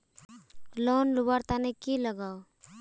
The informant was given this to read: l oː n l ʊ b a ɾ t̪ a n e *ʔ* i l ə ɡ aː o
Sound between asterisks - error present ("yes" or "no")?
yes